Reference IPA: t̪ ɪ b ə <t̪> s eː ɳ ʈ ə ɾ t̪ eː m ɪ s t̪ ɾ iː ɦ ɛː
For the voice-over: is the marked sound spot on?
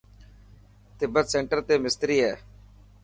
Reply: yes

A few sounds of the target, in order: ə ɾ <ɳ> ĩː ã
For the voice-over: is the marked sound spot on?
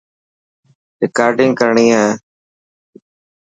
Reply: yes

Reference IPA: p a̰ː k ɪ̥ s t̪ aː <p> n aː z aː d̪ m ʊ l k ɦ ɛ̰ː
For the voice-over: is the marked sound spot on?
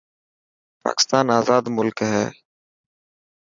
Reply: no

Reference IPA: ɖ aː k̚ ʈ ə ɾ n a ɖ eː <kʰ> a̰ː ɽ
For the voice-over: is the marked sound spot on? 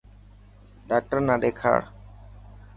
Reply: yes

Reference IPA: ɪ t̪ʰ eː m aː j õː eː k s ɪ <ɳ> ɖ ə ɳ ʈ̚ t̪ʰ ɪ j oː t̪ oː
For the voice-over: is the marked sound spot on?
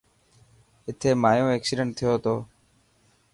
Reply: no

